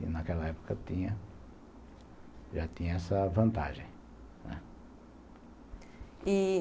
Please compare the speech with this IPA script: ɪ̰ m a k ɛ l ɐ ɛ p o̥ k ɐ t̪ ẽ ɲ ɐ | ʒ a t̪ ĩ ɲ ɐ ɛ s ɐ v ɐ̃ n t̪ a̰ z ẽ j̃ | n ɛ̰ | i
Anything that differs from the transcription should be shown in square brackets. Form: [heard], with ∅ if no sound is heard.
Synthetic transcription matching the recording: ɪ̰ [n] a k ɛ l ɐ ɛ p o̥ k ɐ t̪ [ĩ] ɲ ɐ | ʒ a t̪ ĩ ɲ ɐ ɛ s ɐ v ɐ̃ n t̪ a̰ [ʒ] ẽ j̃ | n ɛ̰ | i